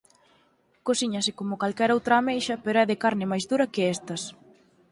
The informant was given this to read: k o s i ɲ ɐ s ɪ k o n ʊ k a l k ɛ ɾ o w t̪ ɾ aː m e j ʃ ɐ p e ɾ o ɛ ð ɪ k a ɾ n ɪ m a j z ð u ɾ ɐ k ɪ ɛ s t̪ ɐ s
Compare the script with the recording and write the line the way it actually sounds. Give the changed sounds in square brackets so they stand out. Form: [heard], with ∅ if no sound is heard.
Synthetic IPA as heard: k o s i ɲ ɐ s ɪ k o [m] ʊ k a l k ɛ ɾ o w t̪ ɾ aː m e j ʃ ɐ p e ɾ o ɛ ð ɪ k a ɾ n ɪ m a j z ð u ɾ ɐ k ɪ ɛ s t̪ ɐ s

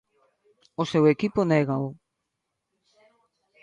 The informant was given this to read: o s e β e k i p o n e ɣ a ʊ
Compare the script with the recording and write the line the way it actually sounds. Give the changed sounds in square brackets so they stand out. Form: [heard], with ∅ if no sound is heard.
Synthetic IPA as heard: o s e [w] e k i p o n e ɣ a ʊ

